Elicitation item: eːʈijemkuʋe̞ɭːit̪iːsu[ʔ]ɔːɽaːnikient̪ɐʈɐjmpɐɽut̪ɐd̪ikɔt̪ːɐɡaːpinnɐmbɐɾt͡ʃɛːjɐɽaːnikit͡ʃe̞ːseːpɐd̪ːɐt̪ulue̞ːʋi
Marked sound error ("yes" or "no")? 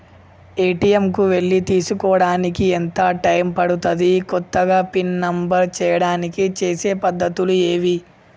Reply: yes